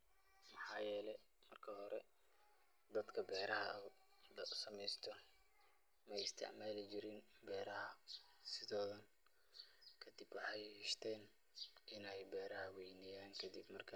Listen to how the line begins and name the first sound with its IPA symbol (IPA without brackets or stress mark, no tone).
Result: m